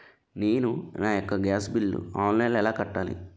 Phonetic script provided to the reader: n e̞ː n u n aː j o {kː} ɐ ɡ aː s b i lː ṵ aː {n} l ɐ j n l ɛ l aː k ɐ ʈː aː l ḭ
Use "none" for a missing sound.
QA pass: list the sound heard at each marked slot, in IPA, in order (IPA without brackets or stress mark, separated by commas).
kː, n